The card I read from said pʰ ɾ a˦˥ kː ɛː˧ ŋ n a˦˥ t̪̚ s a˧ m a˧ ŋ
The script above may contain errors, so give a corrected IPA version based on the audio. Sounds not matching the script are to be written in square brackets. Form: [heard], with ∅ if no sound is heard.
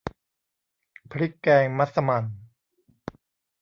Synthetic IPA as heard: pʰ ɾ [i˦˥] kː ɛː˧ ŋ [m] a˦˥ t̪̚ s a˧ m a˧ [n]